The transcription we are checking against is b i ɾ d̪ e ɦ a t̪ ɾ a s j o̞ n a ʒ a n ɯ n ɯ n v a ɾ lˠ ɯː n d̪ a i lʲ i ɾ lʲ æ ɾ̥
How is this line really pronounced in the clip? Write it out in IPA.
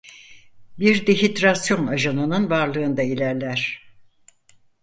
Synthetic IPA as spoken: b i ɾ d̪ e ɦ i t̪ ɾ a s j o̞ n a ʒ a n ɯ n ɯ n v a ɾ lˠ ɯː n d̪ a i lʲ æ ɾ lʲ æ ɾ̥